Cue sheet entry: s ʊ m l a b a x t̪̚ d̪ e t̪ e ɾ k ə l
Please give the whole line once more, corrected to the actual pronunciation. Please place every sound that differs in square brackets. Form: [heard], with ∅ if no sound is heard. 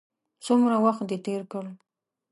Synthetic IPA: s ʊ m [ɾ] a [w] a x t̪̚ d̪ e t̪ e ɾ k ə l